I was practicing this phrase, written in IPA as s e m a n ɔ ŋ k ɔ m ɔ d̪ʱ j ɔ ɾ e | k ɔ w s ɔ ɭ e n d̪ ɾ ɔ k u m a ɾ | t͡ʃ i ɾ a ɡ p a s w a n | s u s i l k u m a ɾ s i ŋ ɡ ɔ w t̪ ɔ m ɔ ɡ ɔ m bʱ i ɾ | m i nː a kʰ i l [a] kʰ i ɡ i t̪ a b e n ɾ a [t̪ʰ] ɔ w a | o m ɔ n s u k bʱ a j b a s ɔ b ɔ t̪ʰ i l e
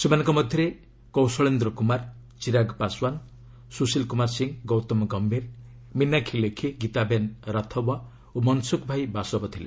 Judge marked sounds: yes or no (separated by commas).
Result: no, yes